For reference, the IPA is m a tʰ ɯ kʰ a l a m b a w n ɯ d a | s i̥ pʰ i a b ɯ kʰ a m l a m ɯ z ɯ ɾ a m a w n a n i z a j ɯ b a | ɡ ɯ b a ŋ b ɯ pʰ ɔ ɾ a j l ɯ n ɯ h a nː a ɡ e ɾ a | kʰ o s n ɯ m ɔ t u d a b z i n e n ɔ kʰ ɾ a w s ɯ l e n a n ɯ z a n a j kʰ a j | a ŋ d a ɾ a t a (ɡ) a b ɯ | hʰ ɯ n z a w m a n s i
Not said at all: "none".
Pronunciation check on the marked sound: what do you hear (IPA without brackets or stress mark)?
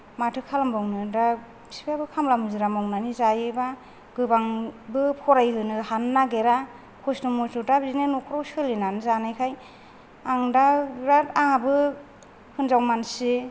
ŋ